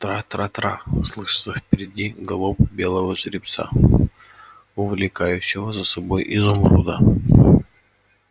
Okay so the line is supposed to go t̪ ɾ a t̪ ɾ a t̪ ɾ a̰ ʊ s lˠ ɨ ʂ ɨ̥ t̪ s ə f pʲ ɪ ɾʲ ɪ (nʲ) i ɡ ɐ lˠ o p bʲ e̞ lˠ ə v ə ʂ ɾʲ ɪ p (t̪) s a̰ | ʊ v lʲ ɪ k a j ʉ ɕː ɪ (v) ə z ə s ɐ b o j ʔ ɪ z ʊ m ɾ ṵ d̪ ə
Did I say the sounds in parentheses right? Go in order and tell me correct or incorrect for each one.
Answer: incorrect, correct, correct

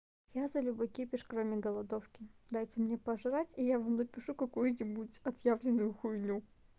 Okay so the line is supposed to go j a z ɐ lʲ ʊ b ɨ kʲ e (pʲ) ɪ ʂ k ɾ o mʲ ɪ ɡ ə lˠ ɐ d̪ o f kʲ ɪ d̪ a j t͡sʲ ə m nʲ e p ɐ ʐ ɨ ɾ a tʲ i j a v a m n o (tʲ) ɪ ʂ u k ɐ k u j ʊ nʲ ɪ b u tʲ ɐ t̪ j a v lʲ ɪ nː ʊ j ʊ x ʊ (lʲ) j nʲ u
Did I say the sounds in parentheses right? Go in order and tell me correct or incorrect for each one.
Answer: correct, incorrect, incorrect

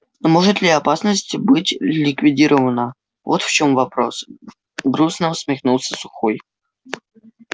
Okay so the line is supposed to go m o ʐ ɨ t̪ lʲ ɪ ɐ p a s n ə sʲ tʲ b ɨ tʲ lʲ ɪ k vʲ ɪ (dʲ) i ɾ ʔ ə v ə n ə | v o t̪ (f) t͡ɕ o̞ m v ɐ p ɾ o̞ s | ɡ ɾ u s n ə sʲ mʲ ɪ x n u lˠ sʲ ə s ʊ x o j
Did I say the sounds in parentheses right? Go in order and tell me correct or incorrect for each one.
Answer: correct, correct

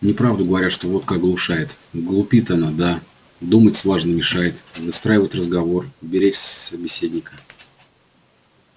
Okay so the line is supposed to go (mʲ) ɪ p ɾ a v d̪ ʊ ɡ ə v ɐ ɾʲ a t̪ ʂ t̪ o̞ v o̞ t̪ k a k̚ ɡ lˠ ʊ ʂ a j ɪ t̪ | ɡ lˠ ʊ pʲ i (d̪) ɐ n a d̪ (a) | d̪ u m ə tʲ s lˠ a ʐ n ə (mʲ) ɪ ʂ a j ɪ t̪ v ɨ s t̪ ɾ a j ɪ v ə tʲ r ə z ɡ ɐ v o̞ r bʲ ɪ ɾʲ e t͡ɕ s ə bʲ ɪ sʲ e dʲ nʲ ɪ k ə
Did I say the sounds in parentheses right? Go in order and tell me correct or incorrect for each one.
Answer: incorrect, incorrect, correct, correct

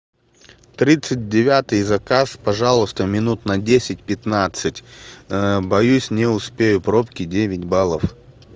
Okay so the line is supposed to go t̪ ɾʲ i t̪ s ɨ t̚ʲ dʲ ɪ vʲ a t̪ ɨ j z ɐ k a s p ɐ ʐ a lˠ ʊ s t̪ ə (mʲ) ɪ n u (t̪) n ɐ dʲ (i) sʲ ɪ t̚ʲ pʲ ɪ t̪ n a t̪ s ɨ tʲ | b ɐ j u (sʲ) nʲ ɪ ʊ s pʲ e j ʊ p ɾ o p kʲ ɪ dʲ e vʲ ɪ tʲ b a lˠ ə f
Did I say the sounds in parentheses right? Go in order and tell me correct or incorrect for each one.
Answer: correct, correct, incorrect, correct

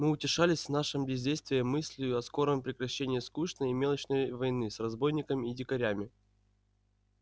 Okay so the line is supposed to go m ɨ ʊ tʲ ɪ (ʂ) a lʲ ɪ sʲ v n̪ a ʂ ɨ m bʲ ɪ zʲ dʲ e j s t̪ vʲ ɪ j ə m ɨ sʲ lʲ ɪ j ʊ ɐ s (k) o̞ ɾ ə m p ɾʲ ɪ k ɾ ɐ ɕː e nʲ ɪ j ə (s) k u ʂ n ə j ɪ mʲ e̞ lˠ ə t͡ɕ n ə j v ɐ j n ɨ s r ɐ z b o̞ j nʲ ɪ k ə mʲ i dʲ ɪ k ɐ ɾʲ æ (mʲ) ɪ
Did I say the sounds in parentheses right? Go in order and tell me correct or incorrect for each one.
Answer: correct, correct, correct, correct

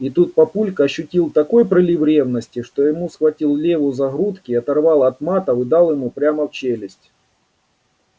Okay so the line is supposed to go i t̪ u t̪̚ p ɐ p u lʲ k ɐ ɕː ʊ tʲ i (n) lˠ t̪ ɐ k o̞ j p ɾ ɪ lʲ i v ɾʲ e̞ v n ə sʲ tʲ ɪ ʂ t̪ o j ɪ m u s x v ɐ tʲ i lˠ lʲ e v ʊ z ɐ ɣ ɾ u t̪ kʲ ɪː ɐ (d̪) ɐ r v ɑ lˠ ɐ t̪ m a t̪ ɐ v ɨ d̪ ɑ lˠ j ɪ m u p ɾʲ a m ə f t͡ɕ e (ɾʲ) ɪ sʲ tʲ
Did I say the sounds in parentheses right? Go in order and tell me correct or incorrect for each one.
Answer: incorrect, incorrect, incorrect

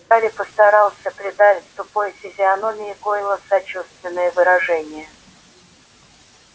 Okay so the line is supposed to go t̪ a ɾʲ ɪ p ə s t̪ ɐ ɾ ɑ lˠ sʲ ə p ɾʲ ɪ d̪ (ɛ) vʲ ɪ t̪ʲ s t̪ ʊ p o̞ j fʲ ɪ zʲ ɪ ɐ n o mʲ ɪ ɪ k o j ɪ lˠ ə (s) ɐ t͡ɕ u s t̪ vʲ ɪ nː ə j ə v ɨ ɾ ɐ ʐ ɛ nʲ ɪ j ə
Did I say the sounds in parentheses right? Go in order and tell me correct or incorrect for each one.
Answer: incorrect, correct

